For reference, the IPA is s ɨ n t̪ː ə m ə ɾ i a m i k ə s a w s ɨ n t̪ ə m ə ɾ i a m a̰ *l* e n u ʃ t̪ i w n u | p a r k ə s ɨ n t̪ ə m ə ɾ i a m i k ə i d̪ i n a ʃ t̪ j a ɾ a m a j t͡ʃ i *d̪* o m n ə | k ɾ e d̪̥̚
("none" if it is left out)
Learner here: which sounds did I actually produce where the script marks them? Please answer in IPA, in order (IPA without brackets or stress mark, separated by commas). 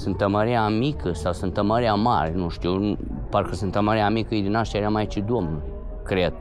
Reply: ɾ, d̪